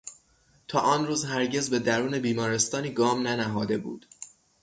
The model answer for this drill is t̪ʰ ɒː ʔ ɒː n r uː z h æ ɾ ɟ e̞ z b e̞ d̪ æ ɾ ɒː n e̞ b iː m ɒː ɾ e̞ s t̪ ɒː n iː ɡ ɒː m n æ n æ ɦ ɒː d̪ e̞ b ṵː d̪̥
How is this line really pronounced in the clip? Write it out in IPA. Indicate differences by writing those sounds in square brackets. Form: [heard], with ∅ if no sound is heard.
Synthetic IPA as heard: t̪ʰ ɒː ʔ ɒː n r uː z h æ ɾ ɟ e̞ z b e̞ d̪ æ ɾ [uː] n e̞ b iː m ɒː ɾ e̞ s t̪ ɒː n iː ɡ ɒː m n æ n æ ɦ ɒː d̪ e̞ b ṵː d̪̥